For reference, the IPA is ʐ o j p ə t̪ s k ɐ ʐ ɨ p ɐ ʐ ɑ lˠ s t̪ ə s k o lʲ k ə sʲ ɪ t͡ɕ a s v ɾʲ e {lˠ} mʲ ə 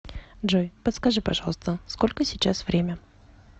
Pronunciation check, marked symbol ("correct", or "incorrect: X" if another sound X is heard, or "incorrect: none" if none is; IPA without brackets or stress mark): incorrect: none